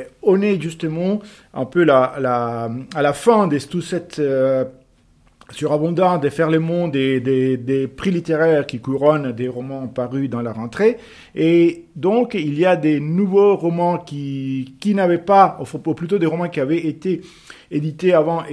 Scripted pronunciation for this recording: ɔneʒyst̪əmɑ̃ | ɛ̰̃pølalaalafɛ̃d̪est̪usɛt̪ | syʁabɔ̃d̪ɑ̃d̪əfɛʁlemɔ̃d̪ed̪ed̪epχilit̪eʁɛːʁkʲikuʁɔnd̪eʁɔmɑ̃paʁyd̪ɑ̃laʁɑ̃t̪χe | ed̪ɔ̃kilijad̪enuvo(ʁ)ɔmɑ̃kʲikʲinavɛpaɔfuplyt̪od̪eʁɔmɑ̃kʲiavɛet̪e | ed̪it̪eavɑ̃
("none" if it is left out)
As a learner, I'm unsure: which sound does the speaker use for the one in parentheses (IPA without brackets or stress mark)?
ʁ